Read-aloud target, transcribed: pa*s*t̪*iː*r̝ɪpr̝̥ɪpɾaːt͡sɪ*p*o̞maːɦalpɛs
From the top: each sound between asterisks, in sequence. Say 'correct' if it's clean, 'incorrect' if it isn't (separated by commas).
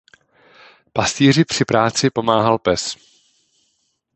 correct, correct, correct